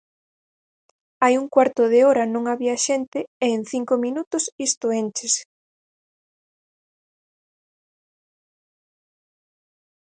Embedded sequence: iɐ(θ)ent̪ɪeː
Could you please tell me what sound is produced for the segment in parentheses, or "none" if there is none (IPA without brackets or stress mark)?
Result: ʃ